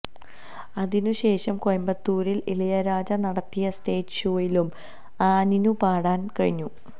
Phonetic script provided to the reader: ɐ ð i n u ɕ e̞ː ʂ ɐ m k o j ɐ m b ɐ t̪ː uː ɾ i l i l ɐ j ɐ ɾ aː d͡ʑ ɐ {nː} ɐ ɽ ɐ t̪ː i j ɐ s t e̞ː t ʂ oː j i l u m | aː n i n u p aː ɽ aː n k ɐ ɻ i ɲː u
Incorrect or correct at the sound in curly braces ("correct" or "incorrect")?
incorrect